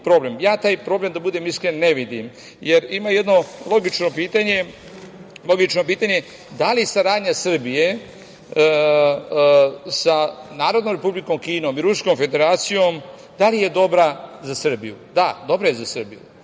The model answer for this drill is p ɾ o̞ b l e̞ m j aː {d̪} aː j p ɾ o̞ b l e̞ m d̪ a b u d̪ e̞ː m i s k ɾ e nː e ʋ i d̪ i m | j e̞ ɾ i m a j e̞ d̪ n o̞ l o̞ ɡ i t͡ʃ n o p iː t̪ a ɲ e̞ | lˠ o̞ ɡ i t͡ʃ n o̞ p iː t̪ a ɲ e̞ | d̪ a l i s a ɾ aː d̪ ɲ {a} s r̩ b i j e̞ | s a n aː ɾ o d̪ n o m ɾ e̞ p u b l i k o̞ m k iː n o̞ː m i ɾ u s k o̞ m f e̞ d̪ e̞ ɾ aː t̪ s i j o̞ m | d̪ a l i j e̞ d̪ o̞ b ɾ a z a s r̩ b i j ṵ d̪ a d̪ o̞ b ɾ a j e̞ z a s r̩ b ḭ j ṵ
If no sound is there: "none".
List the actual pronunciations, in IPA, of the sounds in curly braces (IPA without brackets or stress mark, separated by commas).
t̪, a